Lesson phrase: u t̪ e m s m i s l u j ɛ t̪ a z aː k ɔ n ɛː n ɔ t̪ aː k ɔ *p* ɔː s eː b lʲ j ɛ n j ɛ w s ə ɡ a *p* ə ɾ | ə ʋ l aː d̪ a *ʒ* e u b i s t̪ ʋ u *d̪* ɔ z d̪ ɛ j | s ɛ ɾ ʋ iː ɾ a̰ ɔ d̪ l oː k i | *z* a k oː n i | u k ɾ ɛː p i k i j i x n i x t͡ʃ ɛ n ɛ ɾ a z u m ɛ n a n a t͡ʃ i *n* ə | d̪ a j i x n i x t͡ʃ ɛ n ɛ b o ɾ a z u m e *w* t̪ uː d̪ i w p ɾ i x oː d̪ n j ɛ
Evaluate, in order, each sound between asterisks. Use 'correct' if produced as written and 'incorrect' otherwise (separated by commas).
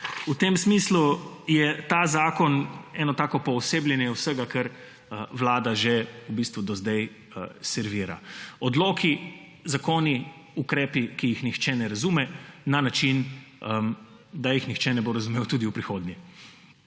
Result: correct, incorrect, correct, correct, correct, correct, correct